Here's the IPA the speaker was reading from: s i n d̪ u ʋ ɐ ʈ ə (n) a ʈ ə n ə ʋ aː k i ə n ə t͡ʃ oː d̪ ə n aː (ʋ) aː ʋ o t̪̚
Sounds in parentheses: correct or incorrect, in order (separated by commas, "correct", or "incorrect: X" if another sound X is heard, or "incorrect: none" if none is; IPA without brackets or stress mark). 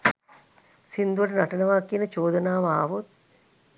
correct, correct